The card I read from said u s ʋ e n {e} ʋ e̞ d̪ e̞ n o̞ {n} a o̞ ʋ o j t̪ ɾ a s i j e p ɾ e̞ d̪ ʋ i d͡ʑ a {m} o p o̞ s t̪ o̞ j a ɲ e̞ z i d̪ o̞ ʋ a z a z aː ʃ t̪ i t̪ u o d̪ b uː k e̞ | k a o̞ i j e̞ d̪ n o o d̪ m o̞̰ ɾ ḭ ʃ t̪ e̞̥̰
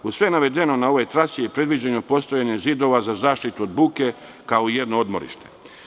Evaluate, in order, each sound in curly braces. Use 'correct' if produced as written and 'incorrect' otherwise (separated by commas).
incorrect, correct, incorrect